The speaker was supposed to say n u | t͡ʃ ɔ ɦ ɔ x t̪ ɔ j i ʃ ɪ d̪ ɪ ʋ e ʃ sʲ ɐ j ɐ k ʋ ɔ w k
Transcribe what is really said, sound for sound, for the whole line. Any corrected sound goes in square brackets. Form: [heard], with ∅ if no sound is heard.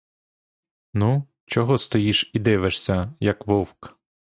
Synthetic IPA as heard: n u | t͡ʃ ɔ ɦ ɔ [s] t̪ ɔ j i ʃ [i] d̪ ɪ ʋ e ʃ sʲ ɐ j ɐ k ʋ ɔ w k